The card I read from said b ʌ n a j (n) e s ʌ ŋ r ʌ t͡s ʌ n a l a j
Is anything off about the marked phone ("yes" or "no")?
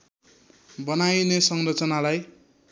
no